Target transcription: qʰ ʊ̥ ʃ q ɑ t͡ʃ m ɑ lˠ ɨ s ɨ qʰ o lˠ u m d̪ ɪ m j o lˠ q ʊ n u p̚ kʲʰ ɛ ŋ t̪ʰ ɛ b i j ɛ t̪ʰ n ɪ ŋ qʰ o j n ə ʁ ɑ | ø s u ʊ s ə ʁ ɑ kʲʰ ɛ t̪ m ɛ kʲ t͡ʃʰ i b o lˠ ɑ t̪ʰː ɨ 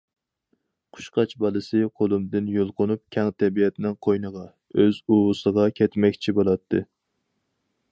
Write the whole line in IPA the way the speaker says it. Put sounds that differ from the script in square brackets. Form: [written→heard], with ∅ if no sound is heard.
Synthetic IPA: qʰ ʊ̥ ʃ q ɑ t͡ʃ [m→b] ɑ lˠ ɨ s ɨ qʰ o lˠ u m d̪ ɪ [m→n] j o lˠ q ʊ n u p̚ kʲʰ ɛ ŋ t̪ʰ ɛ b i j ɛ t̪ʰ n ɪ ŋ qʰ o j n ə ʁ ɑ | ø [s→z] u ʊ s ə ʁ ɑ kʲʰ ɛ t̪ m ɛ kʲ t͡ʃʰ i b o lˠ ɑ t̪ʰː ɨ